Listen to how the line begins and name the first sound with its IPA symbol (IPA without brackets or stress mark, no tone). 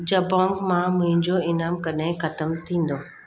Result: d͡ʑ